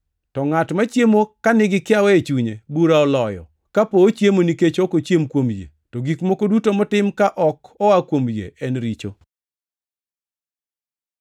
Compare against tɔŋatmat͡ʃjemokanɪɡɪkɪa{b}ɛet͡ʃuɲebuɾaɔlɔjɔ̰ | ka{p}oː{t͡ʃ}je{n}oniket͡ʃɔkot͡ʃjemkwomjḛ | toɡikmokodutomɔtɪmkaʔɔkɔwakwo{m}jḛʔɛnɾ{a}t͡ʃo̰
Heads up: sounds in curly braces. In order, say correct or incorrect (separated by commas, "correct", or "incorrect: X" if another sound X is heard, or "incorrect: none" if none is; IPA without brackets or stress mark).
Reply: incorrect: w, correct, correct, incorrect: m, correct, incorrect: i